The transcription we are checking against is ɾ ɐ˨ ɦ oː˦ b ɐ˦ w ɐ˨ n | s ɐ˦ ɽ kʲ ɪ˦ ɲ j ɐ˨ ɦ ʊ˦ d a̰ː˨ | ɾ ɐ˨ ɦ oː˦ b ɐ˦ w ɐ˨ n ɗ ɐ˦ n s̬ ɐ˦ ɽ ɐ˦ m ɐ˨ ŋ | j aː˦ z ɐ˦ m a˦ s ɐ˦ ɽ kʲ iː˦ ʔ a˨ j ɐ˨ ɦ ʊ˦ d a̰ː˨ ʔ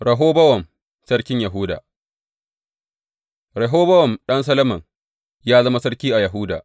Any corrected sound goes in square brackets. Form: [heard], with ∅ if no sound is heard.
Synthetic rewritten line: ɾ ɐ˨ ɦ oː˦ b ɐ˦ w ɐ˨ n | s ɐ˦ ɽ kʲ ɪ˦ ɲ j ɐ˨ ɦ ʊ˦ d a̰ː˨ | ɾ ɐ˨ ɦ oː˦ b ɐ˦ w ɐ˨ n ɗ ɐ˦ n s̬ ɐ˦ [l] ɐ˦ m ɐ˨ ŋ | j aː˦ z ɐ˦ m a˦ s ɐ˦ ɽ kʲ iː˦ ʔ a˨ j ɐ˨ ɦ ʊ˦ d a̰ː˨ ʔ